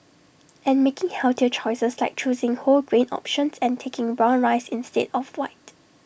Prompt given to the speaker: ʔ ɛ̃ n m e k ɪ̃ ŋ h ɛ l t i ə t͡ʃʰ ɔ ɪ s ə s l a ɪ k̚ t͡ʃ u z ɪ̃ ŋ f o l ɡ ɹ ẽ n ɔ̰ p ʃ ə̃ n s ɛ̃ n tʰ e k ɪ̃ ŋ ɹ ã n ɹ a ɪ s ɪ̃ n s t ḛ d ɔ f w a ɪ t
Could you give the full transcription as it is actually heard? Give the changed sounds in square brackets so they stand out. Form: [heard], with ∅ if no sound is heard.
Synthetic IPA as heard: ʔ ɛ̃ n m e k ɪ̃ ŋ h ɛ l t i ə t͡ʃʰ ɔ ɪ s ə s l a ɪ k̚ t͡ʃ u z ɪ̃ ŋ [h] o l ɡ ɹ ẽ n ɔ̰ p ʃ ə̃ n s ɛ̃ n tʰ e k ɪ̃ ŋ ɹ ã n ɹ a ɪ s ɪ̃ n s t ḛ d ɔ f w a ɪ t